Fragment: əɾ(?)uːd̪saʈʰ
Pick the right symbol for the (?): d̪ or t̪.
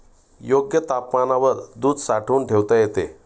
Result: d̪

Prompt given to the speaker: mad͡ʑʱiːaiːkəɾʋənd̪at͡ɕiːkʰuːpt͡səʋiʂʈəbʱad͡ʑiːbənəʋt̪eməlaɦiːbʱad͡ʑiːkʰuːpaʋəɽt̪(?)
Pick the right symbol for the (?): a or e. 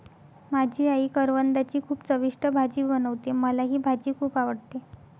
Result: e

